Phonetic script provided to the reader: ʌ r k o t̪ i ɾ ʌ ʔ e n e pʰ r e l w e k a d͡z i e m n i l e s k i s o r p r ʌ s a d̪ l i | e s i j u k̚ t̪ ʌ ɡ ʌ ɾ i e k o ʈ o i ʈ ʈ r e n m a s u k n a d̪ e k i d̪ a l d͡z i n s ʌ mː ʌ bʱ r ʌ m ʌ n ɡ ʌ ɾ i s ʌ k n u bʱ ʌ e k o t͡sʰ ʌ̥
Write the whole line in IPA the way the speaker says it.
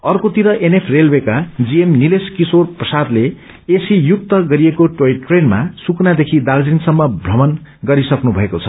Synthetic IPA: ʌ r k o t̪ i ɾ ʌ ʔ e n e pʰ r e l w e k a d͡z i e m n i l e s k i s o r p r ʌ s a d̪ l e | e s i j u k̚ t̪ ʌ ɡ ʌ ɾ i e k o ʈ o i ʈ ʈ r e n m a s u k n a d̪ e kʰ i d̪ a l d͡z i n s ʌ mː ʌ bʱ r ʌ m ʌ n ɡ ʌ ɾ i s ʌ k n u bʱ ʌ e k o t͡sʰ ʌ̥